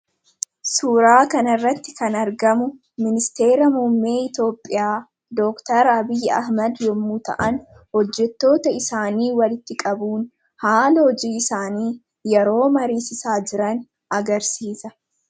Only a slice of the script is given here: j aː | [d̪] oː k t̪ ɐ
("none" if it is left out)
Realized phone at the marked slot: d̪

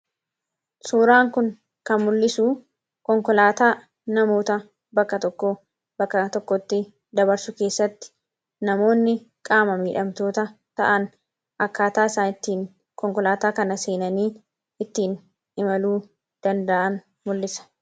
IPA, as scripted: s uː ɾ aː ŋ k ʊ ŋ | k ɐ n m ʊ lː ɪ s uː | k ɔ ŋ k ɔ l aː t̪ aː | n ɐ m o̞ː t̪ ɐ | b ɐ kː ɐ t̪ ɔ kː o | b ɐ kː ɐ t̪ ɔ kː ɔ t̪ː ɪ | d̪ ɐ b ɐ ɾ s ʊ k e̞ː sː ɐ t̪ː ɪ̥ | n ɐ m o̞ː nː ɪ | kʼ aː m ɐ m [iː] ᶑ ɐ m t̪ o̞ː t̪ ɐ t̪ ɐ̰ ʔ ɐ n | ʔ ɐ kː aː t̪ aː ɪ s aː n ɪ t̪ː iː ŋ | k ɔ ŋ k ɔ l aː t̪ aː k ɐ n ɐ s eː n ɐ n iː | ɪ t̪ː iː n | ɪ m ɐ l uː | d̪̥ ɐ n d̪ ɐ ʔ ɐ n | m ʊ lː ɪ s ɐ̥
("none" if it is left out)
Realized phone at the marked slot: iː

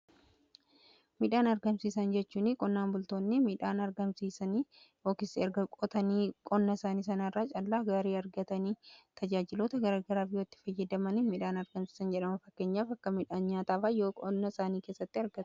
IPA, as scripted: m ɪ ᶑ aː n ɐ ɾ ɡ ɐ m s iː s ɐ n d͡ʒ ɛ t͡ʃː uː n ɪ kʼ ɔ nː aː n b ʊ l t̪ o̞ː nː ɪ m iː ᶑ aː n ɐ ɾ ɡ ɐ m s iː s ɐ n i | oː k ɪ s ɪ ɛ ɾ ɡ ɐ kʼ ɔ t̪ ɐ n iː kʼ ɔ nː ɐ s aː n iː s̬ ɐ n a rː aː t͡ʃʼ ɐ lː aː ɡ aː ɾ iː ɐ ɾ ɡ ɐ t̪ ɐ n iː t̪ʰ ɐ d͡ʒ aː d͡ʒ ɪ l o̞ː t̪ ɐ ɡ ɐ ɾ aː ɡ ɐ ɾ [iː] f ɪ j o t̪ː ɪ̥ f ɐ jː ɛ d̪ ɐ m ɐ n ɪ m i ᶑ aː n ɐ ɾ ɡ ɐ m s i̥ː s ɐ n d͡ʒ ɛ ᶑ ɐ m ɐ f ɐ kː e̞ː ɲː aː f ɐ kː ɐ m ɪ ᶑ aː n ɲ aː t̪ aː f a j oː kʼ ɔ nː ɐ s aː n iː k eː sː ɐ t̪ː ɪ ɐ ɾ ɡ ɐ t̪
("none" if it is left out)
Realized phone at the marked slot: aː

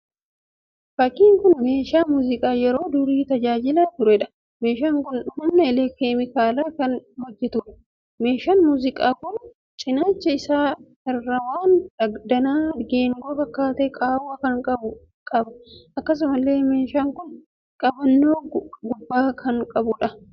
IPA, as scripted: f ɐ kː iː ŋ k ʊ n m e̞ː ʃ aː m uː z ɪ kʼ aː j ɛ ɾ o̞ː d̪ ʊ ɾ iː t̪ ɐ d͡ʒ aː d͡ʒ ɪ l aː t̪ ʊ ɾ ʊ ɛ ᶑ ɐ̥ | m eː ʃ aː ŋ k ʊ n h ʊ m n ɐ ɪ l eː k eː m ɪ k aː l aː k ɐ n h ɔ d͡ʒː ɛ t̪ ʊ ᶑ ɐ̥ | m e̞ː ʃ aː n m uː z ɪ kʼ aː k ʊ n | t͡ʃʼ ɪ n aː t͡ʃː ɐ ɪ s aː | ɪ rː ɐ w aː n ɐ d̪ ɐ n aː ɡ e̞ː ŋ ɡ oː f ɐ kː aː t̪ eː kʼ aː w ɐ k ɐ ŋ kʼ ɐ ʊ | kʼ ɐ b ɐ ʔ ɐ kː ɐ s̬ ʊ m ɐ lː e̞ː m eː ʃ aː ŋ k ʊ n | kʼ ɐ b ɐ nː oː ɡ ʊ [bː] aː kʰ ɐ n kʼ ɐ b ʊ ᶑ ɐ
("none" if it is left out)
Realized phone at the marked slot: bː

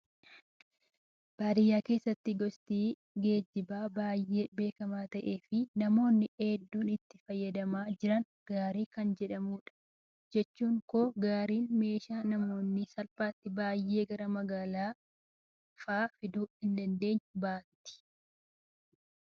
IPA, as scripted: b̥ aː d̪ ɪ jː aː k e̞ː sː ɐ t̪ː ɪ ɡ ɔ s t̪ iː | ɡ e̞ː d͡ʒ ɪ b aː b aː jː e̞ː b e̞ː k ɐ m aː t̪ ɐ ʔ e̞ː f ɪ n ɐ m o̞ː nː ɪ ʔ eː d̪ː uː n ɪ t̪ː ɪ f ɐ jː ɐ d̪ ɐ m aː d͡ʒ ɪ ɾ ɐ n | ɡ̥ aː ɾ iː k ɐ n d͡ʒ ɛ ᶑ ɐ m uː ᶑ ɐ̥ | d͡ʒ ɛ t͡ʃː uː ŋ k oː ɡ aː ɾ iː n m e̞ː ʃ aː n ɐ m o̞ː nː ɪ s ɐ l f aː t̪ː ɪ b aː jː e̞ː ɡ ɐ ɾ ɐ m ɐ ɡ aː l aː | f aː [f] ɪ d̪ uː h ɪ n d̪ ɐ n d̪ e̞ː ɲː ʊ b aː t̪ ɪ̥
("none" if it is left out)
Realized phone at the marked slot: f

